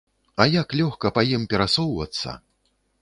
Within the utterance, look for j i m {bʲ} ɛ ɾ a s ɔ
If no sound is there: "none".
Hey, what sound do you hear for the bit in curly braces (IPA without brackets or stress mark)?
pʲ